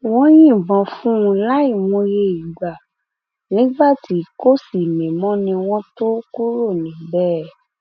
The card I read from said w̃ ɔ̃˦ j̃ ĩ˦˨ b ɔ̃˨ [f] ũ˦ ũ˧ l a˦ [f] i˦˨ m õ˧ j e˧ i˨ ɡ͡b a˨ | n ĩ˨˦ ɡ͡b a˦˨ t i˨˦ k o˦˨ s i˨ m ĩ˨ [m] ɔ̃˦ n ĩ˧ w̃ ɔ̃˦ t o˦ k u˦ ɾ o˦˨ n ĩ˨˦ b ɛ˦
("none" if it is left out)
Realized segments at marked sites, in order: f, none, m

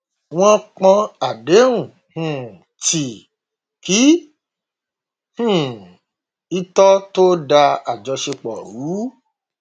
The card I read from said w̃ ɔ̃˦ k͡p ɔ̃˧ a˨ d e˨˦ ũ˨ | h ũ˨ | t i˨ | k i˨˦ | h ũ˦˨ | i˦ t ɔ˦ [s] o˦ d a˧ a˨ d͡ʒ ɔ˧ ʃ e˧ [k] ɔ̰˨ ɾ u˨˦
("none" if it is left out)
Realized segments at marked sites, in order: t, k͡p

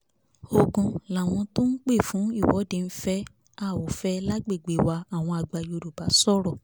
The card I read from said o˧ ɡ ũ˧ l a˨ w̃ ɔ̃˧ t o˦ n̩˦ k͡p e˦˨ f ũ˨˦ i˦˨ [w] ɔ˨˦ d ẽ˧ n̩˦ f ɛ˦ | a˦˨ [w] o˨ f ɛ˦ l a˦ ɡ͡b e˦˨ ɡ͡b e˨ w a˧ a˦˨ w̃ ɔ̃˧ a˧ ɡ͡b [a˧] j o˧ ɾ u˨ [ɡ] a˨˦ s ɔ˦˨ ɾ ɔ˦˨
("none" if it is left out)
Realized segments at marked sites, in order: w, w, a˧, b

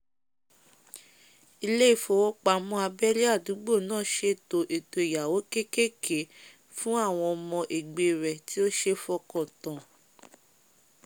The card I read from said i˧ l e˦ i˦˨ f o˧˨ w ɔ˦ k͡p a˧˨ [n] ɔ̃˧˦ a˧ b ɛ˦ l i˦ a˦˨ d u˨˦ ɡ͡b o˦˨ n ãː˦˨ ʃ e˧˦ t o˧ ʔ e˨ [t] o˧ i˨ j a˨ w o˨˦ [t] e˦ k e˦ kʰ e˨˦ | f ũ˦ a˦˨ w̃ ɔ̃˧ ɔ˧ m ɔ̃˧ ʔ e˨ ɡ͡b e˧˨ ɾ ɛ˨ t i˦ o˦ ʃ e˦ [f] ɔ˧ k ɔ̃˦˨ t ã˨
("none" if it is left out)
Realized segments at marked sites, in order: m, t, k, f

